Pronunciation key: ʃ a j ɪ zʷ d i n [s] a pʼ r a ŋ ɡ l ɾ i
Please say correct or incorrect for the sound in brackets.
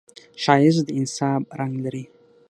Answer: correct